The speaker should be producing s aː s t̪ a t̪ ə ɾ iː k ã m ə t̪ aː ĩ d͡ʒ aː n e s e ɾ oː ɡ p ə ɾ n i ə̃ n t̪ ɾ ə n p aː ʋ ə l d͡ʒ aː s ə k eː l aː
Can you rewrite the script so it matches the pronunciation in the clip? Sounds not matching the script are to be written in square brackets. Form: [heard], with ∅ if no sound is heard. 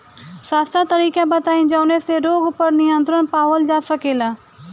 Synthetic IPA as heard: s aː s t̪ a t̪ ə ɾ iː k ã [b] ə t̪ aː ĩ d͡ʒ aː n e s e ɾ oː ɡ p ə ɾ n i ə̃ n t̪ ɾ ə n p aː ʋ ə l d͡ʒ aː s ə k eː l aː